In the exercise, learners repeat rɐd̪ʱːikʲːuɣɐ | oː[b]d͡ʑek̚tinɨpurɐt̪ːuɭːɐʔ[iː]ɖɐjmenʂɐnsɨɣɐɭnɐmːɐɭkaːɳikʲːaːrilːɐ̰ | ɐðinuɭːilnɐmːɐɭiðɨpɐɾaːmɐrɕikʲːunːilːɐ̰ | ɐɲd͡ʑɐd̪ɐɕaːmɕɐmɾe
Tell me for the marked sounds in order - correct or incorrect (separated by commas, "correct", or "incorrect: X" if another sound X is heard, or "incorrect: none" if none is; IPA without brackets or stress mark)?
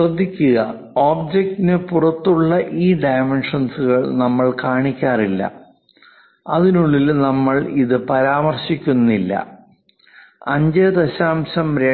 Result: correct, correct